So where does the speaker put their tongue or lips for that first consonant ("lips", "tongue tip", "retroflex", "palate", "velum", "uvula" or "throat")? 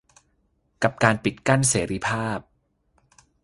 velum